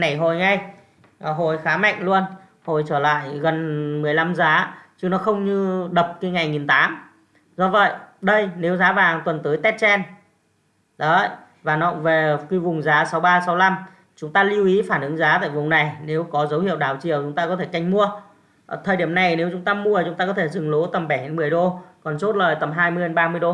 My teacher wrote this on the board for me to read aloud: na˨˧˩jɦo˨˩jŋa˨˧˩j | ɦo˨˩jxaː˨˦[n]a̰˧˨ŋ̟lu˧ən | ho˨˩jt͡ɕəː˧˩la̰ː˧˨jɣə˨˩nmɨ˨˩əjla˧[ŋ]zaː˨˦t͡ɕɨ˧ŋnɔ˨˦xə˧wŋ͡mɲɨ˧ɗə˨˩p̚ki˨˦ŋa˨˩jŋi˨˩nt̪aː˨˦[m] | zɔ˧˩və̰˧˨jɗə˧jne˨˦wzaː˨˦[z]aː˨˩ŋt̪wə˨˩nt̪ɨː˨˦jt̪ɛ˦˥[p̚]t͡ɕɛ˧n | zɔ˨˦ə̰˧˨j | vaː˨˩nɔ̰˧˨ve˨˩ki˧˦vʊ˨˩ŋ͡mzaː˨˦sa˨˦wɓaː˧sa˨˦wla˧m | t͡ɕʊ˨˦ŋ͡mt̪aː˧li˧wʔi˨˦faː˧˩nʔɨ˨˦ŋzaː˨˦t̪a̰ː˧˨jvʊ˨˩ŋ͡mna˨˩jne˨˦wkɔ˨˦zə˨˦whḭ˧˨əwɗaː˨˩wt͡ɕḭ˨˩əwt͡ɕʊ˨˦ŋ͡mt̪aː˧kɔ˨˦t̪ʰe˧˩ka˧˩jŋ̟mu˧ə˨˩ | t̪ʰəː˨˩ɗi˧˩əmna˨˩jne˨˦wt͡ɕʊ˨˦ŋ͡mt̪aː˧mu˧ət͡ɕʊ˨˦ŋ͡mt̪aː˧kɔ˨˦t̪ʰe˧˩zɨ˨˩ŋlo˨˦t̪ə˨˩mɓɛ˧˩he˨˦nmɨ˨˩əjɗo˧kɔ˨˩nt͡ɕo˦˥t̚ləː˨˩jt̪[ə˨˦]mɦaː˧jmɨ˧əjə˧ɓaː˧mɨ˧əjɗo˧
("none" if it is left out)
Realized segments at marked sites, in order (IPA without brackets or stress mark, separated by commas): m, m, m, v, t̚, ə˨˩